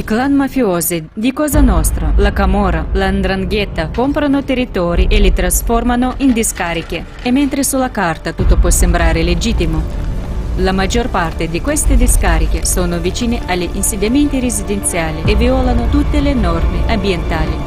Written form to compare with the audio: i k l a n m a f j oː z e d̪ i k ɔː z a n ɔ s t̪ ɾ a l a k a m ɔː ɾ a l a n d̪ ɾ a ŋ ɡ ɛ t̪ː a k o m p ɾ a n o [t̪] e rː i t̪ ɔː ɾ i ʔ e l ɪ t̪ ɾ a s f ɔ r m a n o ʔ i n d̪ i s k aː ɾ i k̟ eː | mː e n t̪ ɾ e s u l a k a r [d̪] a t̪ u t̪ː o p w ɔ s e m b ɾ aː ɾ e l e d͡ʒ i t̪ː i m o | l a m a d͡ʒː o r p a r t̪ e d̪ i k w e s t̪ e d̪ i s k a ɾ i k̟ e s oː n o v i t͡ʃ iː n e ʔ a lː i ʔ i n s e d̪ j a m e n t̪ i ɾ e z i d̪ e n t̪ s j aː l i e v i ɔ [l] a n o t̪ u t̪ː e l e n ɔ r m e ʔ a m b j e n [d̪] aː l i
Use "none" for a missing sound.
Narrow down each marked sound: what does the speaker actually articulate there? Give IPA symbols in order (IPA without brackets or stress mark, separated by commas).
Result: t̪, t̪, l, t̪